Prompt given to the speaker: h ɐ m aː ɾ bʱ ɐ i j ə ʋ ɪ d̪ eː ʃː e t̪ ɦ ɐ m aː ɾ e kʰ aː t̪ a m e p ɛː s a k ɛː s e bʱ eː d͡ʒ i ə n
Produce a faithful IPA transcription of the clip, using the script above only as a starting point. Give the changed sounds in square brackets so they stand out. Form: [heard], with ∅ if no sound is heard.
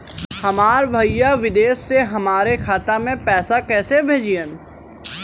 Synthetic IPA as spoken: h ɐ m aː ɾ bʱ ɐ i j [a] ʋ ɪ d̪ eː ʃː e [∅] ɦ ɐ m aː ɾ e kʰ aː t̪ a m [ẽ] p ɛː s a k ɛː s e bʱ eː d͡ʒ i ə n